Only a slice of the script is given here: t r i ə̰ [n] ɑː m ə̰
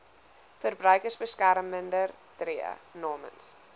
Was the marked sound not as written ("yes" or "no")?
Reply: no